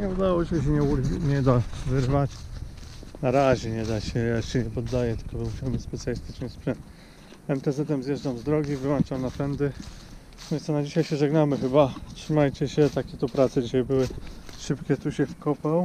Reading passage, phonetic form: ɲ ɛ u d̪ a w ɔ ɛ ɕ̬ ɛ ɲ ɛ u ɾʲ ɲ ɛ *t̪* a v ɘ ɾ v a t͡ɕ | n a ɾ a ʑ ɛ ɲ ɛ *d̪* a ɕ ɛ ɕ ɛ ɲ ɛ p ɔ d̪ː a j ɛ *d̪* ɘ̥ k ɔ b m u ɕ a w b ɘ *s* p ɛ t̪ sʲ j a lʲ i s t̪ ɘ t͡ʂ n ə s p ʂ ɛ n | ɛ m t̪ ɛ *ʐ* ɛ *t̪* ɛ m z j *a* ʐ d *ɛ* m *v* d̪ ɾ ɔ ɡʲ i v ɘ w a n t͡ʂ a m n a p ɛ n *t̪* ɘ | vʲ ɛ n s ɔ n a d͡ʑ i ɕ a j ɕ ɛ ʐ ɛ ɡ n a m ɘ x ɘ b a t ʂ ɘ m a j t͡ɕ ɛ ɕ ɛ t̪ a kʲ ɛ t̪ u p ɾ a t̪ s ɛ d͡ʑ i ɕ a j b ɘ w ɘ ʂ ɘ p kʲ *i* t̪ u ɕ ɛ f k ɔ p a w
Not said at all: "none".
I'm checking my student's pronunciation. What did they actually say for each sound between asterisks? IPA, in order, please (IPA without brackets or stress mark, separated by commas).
d̪, d̪, t̪, s, z, t̪, ɛ, a, z, d̪, ɛ